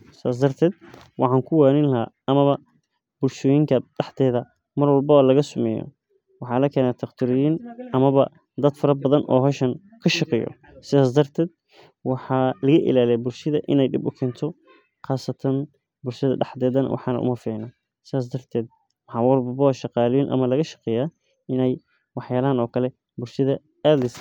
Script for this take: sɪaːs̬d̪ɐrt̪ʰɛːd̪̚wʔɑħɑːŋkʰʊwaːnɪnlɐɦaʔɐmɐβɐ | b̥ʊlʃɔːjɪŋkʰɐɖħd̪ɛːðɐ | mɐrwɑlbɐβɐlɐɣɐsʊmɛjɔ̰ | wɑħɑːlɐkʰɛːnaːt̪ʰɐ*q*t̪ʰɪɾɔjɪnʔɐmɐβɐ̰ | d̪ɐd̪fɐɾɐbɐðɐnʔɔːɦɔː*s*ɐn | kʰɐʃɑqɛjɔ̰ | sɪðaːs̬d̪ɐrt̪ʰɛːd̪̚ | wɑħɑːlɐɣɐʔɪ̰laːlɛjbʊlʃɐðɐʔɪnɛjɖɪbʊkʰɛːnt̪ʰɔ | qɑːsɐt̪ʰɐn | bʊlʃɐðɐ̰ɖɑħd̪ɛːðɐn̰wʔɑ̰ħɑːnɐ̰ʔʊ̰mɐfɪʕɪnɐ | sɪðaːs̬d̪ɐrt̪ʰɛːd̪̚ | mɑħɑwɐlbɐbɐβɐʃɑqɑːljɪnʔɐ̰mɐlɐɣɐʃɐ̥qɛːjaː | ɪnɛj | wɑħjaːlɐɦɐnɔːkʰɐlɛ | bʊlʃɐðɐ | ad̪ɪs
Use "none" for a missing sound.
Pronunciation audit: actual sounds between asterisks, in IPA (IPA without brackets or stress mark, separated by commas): q, ʃ